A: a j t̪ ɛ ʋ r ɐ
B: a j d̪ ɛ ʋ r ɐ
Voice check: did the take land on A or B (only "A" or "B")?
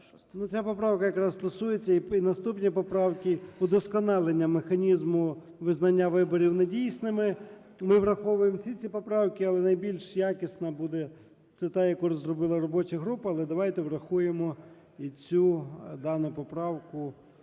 A